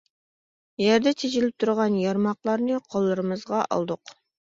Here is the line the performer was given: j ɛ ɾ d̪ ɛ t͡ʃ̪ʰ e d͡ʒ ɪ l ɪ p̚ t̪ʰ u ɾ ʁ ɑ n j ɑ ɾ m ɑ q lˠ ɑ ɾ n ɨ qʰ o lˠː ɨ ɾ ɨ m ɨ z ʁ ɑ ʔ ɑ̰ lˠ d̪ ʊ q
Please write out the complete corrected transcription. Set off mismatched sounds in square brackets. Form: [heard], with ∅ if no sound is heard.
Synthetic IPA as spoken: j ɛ ɾ d̪ ɛ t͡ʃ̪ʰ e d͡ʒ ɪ l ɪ p̚ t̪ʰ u ɾ ʁ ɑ n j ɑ ɾ m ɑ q lˠ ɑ ɾ n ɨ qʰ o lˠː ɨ ɾ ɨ m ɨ z ʁ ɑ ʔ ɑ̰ lˠ d̪ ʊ q